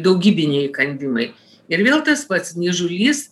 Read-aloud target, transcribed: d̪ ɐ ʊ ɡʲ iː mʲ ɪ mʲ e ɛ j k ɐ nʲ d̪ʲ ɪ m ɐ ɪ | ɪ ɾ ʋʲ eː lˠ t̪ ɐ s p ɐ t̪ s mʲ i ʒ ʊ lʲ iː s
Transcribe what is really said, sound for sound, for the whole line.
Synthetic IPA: d̪ ɐ ʊ ɡʲ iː bʲ ɪ nʲ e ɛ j k ɐ nʲ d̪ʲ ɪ m ɐ ɪ | ɪ ɾ ʋʲ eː lˠ t̪ ɐ s p ɐ t̪ s nʲ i ʒ ʊ lʲ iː s